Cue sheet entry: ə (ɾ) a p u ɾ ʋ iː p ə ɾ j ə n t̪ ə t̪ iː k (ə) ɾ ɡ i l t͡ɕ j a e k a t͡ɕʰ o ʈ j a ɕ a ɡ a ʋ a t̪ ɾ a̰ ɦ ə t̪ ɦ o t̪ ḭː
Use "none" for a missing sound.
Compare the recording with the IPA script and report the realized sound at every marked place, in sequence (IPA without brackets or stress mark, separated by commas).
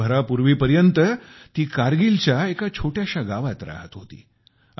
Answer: ɾ, a